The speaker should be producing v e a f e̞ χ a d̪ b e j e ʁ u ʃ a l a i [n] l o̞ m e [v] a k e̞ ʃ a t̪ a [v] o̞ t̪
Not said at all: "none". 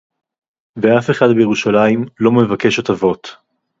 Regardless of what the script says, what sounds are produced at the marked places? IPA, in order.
m, v, v

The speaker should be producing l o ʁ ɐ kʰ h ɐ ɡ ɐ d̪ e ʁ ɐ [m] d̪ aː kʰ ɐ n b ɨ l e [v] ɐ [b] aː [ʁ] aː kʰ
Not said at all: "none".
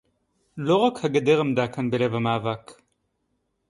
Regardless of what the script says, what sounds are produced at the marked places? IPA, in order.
m, v, m, v

